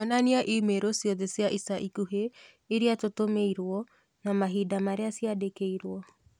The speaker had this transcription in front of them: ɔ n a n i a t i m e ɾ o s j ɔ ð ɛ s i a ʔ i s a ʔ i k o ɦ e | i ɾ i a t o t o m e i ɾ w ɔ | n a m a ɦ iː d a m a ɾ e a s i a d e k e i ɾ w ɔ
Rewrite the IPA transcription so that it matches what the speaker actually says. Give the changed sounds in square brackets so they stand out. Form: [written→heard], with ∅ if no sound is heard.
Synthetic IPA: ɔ n a n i a [t→ʔ] i m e ɾ o s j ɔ ð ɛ s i a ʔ i s a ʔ i k [o→u] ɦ e | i ɾ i a t o t o m e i ɾ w ɔ | n a m a ɦ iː d a m a ɾ e a s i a d e k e i ɾ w ɔ